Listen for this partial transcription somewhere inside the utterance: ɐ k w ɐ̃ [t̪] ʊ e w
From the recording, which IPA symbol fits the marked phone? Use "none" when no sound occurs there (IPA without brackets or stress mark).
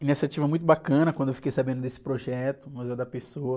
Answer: d̪